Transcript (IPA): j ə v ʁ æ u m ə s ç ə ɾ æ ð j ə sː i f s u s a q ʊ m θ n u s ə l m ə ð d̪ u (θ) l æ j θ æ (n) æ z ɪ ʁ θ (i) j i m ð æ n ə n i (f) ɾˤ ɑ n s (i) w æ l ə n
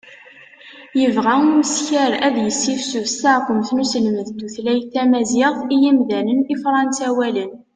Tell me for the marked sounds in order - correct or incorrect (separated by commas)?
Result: correct, incorrect, correct, correct, incorrect